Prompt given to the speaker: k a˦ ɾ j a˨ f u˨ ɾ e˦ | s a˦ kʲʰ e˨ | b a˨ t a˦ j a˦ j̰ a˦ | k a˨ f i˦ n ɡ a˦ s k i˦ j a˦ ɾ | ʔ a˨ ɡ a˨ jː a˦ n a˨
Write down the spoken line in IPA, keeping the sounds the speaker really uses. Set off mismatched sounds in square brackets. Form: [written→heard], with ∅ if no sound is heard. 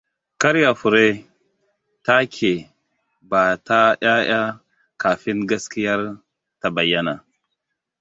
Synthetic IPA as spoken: k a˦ ɾ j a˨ f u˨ ɾ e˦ | [s→t] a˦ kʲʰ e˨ | b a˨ t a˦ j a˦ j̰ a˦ | k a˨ f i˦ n ɡ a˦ s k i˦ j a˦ ɾ | [ʔ→t] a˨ [ɡ→b] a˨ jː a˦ n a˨